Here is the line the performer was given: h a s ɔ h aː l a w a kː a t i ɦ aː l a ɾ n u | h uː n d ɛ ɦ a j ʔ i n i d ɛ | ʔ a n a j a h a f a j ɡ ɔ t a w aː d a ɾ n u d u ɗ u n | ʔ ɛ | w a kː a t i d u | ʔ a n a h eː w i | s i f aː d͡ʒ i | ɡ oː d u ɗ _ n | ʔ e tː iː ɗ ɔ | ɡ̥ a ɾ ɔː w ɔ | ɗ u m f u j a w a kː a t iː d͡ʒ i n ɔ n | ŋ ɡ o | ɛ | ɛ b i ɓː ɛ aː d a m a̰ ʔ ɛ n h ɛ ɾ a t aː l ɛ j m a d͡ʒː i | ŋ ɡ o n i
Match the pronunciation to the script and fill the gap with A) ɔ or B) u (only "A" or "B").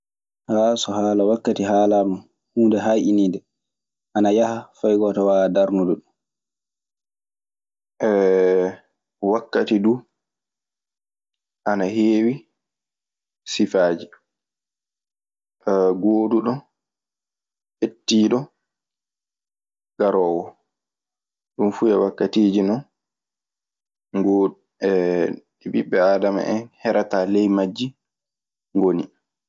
A